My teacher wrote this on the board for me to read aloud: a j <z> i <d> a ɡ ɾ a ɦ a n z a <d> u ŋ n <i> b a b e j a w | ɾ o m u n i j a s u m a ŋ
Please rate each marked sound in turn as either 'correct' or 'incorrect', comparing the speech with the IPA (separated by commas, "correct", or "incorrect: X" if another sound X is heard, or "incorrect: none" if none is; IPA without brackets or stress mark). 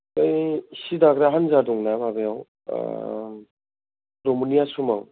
incorrect: s, correct, correct, incorrect: a